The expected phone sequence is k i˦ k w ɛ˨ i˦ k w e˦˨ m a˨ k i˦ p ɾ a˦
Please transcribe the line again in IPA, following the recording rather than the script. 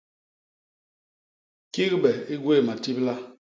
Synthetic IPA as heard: k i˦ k b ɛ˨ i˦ ɡ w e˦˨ m a˨ t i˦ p l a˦